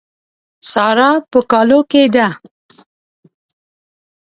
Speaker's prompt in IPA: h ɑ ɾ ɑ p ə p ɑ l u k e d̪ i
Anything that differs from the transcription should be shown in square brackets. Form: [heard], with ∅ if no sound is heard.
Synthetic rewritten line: [s] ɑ ɾ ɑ p ə [k] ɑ l [o] k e d̪ [a]